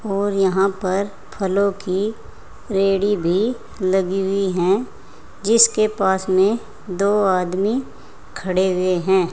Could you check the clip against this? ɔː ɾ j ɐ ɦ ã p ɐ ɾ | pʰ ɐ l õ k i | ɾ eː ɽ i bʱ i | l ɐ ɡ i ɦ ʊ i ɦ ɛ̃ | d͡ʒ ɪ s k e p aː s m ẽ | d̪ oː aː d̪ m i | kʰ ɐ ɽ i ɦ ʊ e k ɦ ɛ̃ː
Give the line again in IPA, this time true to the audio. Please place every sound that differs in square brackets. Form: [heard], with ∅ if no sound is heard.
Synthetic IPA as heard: ɔː ɾ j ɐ ɦ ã p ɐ ɾ | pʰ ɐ l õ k i | ɾ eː ɽ i bʱ i | l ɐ ɡ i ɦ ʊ i ɦ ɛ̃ | d͡ʒ ɪ s k e p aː s m ẽ | d̪ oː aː d̪ m i | kʰ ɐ ɽ [e] ɦ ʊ e [∅] ɦ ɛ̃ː

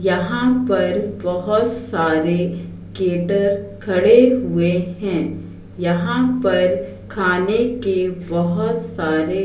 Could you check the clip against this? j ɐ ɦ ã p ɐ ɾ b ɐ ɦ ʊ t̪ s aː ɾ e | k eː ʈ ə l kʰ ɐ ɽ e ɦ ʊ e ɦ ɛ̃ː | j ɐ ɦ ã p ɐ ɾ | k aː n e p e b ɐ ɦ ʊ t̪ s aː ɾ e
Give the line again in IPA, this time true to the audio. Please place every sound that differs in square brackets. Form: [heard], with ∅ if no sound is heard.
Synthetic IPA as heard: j ɐ ɦ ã p ɐ ɾ b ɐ ɦ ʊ t̪ s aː ɾ e | k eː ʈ ə [ɾ] kʰ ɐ ɽ e ɦ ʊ e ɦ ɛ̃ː | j ɐ ɦ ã p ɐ ɾ | [kʰ] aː n e [k] e b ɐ ɦ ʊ t̪ s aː ɾ e

